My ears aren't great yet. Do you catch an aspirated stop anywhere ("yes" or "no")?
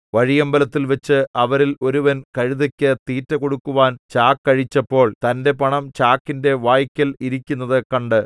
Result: no